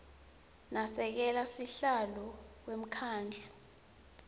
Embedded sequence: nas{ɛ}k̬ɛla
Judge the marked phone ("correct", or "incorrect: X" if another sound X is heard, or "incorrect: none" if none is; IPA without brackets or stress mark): correct